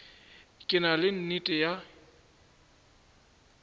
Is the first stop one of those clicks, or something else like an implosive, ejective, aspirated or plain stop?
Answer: ejective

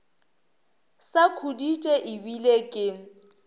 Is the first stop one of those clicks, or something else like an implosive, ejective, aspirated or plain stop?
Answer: aspirated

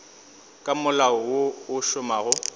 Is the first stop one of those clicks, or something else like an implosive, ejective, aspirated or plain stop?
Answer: ejective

